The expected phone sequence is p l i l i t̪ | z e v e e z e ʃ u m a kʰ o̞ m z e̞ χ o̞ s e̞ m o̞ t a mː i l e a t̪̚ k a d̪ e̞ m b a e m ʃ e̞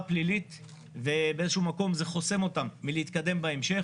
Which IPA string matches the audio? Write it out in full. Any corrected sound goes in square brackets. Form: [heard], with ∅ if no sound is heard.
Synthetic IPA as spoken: p l i l i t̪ | [v] e [b] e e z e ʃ u m a [k] o̞ m z e̞ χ o̞ s e̞ m o̞ t a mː i l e [i] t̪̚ k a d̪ e̞ m b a e m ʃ e̞